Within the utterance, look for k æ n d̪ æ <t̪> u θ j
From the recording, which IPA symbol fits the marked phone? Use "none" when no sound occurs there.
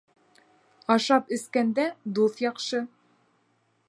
d̪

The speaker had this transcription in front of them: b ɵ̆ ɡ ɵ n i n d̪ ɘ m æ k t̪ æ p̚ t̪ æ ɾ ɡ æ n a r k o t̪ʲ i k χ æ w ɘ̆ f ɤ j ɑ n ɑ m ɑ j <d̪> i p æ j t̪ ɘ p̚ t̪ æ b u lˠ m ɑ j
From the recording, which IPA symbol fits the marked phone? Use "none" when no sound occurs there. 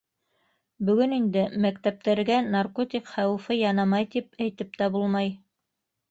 t̪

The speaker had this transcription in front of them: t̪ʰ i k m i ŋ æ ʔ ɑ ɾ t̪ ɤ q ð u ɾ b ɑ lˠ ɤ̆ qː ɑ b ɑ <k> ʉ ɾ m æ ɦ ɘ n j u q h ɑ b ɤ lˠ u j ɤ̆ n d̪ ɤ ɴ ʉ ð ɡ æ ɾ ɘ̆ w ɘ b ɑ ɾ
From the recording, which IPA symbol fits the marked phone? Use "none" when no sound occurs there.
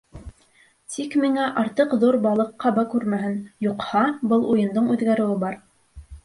k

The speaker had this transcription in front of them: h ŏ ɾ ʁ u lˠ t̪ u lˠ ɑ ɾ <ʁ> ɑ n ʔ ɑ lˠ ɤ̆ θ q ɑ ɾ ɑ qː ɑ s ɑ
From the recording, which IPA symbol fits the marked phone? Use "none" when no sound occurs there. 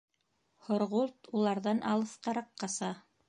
ð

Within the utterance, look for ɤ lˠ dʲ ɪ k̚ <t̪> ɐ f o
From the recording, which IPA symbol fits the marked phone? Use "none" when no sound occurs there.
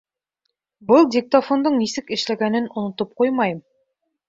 t̪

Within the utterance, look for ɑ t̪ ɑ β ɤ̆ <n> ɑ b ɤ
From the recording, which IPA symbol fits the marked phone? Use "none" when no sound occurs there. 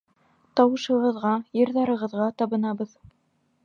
n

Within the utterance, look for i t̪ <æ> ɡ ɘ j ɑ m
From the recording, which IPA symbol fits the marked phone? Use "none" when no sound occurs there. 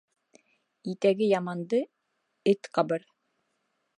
æ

